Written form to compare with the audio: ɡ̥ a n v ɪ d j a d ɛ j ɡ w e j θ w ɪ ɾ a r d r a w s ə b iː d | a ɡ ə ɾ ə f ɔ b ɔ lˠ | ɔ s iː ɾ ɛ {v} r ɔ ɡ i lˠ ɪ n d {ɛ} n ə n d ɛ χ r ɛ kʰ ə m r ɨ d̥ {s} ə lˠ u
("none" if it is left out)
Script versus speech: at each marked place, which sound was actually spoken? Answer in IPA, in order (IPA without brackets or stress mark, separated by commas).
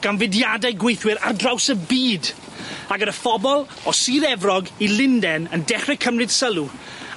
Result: v, ɛ, s